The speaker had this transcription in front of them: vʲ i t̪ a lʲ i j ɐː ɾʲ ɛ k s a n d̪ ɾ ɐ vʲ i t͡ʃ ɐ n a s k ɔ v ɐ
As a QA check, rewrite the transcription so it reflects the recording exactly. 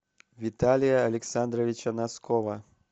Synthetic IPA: vʲ i t̪ a lʲ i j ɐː lʲ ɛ k s a n d̪ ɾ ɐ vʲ i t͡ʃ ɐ n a s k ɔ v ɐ